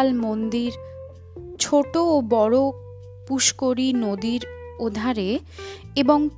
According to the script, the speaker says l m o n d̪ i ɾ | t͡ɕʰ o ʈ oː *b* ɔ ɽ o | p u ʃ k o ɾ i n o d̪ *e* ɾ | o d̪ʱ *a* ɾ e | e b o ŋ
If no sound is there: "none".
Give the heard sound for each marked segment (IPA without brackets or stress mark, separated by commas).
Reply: b, i, a